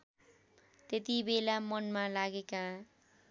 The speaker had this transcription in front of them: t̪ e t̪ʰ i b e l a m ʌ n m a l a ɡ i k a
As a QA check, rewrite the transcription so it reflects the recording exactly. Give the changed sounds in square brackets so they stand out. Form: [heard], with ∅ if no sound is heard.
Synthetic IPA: t̪ e [t̪] i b e l a m ʌ n m a l a ɡ [e] k a